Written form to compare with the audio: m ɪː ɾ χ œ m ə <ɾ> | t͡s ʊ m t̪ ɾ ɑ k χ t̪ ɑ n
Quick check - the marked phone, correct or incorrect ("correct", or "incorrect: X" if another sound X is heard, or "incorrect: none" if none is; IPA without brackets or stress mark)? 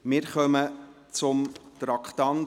incorrect: none